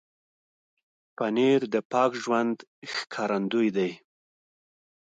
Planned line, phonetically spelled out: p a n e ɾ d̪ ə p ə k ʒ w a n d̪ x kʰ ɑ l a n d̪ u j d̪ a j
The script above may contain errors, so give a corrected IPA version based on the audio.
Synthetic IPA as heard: p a n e ɾ d̪ ə p ɑ k ʒ w a n d̪ x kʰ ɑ ɾ a n d̪ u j d̪ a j